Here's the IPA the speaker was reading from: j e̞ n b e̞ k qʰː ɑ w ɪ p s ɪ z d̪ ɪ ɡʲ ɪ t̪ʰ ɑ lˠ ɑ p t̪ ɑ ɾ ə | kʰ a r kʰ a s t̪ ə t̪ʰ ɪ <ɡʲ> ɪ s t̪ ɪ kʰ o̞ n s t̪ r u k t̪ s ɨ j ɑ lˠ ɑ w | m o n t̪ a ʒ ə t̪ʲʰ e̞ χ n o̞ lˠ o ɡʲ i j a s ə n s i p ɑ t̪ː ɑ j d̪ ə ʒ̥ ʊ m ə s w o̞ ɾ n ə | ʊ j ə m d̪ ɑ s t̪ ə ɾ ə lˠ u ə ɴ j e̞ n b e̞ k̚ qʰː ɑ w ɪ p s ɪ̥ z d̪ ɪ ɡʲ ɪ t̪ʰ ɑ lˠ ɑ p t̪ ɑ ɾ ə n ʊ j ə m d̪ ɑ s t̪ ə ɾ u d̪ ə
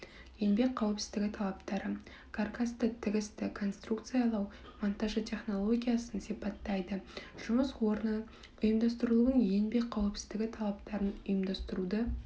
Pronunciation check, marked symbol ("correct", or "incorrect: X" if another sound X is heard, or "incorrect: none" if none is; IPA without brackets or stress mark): correct